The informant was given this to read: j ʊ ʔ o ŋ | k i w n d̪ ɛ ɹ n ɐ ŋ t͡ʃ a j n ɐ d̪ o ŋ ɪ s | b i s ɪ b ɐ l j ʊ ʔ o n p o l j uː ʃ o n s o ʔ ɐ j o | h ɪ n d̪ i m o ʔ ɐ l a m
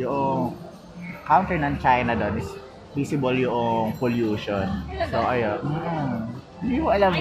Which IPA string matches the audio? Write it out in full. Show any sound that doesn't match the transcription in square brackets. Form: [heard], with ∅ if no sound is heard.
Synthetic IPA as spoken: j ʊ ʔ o ŋ | k [a] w n [t̪] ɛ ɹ n ɐ ŋ t͡ʃ a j n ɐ d̪ o [n] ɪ s | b i s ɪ b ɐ l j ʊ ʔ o [ŋ] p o l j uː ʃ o n s o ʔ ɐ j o | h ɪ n d̪ i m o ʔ ɐ l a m